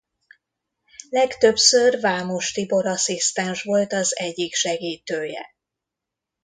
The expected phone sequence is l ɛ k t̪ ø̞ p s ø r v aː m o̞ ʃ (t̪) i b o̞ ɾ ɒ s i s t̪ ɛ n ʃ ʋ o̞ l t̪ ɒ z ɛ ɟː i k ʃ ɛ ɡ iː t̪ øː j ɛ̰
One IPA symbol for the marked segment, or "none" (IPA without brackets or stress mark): t̪